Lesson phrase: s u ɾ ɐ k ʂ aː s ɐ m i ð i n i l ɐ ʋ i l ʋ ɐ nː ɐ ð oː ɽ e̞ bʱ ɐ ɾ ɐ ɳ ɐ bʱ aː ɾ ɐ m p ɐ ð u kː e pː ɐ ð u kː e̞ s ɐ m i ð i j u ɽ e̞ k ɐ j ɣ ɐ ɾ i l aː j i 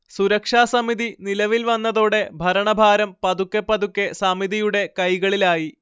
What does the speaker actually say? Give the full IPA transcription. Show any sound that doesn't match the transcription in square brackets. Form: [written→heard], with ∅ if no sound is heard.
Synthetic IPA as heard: s u ɾ ɐ k ʂ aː s ɐ m i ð i n i l ɐ ʋ i l ʋ ɐ nː ɐ ð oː ɽ e̞ bʱ ɐ ɾ ɐ ɳ ɐ bʱ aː ɾ ɐ m p ɐ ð u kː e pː ɐ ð u kː e̞ s ɐ m i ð i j u ɽ e̞ k ɐ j ɣ ɐ [ɾ→ɭ] i l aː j i